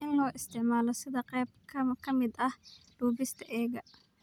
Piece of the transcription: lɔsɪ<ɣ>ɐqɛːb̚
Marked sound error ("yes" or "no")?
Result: yes